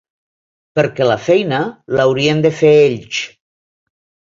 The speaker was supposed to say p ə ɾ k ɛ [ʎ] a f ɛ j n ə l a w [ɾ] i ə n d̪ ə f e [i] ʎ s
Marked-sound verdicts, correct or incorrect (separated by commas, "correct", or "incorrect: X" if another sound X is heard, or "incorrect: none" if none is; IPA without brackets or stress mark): incorrect: l, correct, incorrect: e